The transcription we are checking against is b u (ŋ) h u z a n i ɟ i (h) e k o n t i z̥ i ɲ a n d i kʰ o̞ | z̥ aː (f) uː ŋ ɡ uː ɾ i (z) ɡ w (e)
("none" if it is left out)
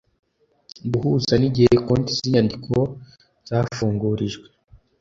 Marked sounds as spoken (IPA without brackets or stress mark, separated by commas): none, h, f, ʒ, e